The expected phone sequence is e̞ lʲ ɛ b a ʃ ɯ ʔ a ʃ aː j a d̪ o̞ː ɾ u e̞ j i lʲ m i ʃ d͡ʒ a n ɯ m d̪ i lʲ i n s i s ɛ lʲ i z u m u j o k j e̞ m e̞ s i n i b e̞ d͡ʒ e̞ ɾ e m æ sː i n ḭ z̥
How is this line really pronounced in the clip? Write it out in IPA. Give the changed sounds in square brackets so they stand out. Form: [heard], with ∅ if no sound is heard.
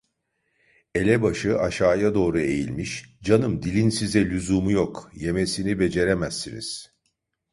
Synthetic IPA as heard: e̞ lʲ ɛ b a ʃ ɯ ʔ a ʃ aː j a d̪ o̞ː ɾ u e̞ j i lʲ m i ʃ d͡ʒ a n ɯ m d̪ i lʲ i n s i [z] ɛ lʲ [y] z u m u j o k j e̞ m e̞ s i n i b e̞ d͡ʒ e̞ ɾ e m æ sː i n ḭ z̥

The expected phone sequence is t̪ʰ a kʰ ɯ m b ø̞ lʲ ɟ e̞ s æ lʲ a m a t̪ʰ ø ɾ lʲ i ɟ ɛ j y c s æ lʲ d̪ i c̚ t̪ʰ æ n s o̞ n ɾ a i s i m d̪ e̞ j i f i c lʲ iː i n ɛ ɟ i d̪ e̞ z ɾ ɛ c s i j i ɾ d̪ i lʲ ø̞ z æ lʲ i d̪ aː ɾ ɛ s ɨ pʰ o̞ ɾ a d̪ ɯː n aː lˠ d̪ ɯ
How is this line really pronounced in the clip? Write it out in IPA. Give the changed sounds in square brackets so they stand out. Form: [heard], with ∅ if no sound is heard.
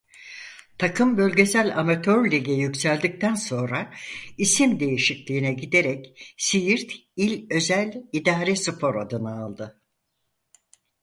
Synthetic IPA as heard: t̪ʰ a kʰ ɯ m b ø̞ lʲ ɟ e̞ s æ lʲ a m a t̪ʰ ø ɾ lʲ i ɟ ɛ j y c s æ lʲ d̪ i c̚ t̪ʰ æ n s o̞ n ɾ a i s i m d̪ e̞ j i [ʃ] i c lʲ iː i n ɛ ɟ i d̪ e̞ [∅] ɾ ɛ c s i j i ɾ [t̪] i lʲ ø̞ z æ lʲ i d̪ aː ɾ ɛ s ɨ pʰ o̞ ɾ a d̪ [ɯ] n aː lˠ d̪ ɯ

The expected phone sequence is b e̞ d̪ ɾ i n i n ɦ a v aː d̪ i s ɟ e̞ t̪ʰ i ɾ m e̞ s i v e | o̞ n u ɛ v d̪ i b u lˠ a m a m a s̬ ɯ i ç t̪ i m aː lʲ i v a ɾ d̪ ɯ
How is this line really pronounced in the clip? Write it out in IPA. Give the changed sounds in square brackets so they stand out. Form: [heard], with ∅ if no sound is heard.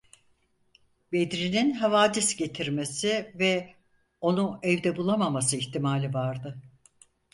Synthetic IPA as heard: b e̞ d̪ ɾ i n i n ɦ a v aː d̪ i s ɟ e̞ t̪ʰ i ɾ m e̞ s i v [ɛ] | o̞ n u ɛ v d̪ [ɛ] b u lˠ a m a m a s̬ ɯ i ç t̪ i m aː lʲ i v a ɾ d̪ ɯ

